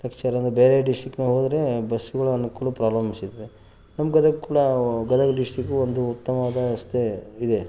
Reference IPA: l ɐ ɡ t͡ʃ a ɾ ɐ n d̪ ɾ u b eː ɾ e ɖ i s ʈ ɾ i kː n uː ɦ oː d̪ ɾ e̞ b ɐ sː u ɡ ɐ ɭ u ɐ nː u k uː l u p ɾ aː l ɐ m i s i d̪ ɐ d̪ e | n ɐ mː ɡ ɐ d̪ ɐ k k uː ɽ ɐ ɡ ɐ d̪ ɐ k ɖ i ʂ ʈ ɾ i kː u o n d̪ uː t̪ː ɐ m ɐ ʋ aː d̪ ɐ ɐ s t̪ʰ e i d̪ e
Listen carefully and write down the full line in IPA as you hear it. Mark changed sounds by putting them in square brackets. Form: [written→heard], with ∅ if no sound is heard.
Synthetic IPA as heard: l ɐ [ɡ→k] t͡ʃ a ɾ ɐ n d̪ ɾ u b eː ɾ e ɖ i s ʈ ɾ i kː n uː ɦ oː d̪ ɾ e̞ b ɐ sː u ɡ ɐ ɭ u ɐ [nː→n] u k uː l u p ɾ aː l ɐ m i s i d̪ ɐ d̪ e | n ɐ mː ɡ ɐ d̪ ɐ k k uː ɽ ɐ ɡ ɐ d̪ ɐ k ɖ i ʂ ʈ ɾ i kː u o n d̪ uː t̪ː ɐ m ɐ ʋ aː d̪ ɐ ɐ s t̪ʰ e i d̪ e